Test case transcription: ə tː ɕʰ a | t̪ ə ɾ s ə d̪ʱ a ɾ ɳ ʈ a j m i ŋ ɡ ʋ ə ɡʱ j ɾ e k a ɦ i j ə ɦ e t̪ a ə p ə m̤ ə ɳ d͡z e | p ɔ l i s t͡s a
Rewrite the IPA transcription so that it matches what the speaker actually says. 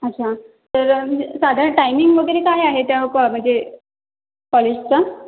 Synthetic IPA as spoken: ə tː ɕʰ a | t̪ ə ɾ s a d̪ʱ a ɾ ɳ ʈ a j m i ŋ ɡ ʋ ə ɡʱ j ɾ e k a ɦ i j a ɦ e t̪ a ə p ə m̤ ə ɳ d͡z e | p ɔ l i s t͡s a